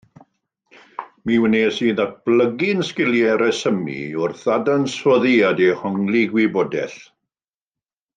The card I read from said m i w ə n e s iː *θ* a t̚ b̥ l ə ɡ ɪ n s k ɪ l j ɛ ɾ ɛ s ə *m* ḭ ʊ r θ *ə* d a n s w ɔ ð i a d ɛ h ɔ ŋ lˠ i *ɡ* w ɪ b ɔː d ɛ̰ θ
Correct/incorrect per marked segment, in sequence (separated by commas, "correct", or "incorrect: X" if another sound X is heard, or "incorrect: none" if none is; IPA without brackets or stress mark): incorrect: ð, correct, incorrect: a, correct